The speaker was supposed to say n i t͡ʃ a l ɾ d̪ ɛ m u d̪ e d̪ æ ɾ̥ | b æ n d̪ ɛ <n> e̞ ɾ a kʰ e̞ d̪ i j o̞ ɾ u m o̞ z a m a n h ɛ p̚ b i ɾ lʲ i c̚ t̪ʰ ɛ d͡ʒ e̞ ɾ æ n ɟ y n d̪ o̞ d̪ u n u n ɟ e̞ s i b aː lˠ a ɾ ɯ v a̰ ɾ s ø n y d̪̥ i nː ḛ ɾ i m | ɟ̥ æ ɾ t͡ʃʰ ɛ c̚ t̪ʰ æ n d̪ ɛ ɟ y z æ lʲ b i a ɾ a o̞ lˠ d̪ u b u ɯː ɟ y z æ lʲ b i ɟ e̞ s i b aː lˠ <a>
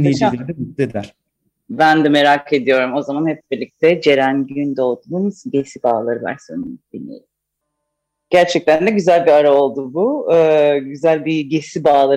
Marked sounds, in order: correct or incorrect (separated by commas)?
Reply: incorrect, correct